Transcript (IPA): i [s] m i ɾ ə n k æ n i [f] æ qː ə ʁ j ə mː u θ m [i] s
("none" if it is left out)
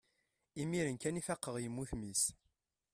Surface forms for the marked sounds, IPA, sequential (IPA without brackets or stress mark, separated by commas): none, f, i